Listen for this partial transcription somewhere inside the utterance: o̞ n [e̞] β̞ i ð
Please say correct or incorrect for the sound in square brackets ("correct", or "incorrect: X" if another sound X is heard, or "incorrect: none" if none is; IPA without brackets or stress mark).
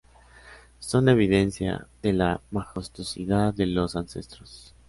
correct